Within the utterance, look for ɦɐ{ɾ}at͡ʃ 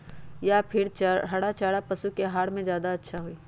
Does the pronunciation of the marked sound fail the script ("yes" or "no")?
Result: yes